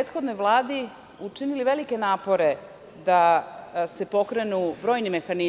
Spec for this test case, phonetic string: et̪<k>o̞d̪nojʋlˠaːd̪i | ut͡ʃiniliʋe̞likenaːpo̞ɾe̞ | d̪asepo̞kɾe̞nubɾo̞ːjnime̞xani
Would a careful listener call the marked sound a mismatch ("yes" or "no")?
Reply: yes